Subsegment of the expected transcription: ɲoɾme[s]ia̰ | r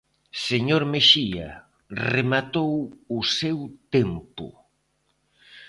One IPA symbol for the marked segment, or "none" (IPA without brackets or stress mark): ʃ